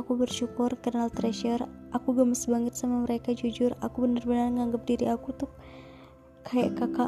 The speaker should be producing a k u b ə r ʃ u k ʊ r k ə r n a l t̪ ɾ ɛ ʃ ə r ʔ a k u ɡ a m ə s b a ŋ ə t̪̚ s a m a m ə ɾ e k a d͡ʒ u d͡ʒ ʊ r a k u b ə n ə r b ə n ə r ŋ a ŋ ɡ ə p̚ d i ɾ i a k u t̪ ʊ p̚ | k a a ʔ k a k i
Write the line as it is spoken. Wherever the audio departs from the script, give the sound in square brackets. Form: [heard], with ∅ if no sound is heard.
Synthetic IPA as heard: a k u b ə r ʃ u k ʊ r k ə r n a l t̪ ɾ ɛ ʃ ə r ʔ a k u ɡ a m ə s b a ŋ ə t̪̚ s a m a m ə ɾ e k a d͡ʒ u d͡ʒ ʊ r a k u b ə n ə r b ə n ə r ŋ a ŋ ɡ ə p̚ d i ɾ i a k u t̪ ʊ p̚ | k a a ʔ k a k [a]